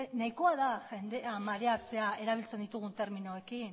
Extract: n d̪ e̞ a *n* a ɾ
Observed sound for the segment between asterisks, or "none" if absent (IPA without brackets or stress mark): m